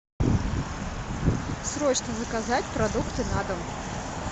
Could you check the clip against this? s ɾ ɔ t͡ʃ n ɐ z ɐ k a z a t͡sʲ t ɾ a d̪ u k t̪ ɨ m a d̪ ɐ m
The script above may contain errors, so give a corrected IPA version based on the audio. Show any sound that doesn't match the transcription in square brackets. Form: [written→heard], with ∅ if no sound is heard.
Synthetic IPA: s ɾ ɔ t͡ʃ n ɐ z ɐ k a z a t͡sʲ [t→p] ɾ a d̪ u k t̪ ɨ [m→n] a d̪ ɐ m